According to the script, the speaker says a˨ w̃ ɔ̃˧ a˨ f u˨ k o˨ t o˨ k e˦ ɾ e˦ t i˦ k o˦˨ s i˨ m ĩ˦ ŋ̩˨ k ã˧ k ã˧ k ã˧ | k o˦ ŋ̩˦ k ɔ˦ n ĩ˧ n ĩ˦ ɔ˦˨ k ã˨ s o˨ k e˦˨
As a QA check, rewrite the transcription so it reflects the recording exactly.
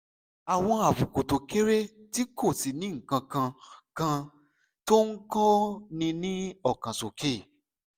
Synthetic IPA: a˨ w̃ ɔ̃˧ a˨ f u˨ k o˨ t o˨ k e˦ ɾ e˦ t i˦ k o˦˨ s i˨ n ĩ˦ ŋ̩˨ k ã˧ k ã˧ k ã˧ | t o˦ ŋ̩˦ k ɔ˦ n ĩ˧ n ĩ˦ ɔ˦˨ k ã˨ s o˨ k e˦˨

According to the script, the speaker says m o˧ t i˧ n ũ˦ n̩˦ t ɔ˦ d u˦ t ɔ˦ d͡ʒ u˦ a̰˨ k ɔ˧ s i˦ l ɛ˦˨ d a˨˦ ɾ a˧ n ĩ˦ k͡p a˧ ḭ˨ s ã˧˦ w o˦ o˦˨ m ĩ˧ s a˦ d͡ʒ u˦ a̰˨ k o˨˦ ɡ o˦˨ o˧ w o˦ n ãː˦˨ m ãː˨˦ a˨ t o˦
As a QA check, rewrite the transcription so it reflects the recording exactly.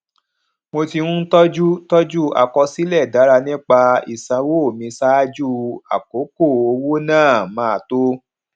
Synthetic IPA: m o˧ t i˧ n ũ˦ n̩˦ t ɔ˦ d͡ʒ u˦ t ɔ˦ d͡ʒ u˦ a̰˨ k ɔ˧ s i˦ l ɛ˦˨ d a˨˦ ɾ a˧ n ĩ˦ k͡p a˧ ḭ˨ s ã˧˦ w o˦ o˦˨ m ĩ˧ s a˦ d͡ʒ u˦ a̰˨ k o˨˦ k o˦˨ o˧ w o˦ n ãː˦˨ m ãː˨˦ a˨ t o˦

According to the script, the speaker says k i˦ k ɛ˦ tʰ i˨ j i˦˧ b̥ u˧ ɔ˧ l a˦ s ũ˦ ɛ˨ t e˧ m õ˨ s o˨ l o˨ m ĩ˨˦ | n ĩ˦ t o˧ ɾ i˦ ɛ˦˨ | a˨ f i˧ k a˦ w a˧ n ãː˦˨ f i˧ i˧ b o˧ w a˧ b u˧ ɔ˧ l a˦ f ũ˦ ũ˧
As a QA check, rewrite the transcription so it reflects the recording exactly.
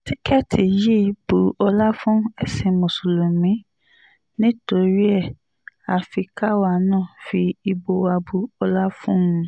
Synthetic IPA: t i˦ k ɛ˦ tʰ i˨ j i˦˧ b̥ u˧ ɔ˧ l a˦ f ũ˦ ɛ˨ s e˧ m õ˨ s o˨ l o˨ m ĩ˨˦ | n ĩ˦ t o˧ ɾ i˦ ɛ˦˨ | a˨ f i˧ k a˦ w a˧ n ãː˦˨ f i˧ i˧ b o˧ w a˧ b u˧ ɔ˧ l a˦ f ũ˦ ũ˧

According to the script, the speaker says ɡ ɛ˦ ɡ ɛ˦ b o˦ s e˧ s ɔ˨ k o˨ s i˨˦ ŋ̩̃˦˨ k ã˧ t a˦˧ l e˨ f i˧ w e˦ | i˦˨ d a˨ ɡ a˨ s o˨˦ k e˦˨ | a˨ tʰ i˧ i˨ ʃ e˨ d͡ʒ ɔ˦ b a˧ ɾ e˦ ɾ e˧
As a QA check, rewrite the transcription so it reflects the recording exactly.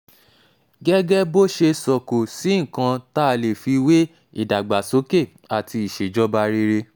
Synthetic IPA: ɡ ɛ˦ ɡ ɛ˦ b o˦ ʃ e˧ s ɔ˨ k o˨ s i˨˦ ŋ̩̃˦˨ k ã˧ t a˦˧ l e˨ f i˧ w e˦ | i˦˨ d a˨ ɡ͡b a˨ s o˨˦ k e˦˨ | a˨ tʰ i˧ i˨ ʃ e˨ d͡ʒ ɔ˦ b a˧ ɾ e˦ ɾ e˧

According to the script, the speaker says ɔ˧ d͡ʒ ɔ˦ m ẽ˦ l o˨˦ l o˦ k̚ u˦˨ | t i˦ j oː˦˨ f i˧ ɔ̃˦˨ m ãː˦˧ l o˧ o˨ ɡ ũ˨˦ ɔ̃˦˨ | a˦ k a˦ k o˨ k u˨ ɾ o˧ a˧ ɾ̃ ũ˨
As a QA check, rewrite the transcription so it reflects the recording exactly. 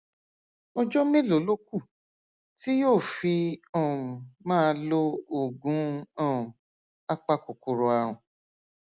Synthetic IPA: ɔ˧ d͡ʒ ɔ˦ m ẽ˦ l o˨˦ l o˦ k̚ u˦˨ | t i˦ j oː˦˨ f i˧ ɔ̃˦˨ m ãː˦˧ l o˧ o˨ ɡ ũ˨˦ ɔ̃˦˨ | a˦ k͡p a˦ k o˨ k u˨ ɾ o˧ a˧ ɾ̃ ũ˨

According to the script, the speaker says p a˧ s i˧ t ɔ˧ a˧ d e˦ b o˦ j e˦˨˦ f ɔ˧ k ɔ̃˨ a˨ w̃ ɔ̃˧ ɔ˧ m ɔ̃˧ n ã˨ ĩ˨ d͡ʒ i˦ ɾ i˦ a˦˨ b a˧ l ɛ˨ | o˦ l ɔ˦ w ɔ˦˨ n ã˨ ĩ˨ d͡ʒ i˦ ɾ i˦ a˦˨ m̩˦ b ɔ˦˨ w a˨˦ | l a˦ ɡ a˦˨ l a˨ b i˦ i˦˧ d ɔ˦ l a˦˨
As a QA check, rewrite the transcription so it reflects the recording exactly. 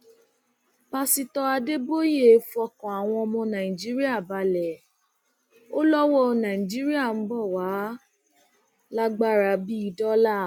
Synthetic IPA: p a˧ s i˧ t ɔ˧ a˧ d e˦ b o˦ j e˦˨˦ f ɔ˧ k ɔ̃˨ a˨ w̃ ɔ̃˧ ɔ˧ m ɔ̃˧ n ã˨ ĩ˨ d͡ʒ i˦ ɾ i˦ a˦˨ b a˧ l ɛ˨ | o˦ l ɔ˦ w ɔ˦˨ n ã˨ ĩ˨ d͡ʒ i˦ ɾ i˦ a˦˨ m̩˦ b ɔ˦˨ w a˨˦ | l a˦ ɡ͡b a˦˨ ɾ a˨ b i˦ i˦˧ d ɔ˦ l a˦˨

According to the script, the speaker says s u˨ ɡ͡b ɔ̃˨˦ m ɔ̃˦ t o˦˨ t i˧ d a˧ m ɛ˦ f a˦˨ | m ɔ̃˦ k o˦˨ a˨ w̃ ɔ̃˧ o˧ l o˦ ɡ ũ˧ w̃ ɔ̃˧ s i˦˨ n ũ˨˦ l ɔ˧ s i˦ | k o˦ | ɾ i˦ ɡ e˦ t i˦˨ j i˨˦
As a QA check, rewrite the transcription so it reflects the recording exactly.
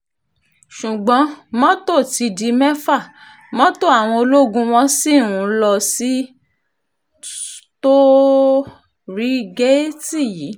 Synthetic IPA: ʃ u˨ ɡ͡b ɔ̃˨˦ m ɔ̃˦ t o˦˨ t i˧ d i˧ m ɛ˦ f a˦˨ | m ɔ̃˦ t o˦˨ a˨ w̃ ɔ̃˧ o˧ l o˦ ɡ ũ˧ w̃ ɔ̃˧ s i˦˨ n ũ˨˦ l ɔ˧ s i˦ | t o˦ | ɾ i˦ ɡ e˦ t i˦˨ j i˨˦

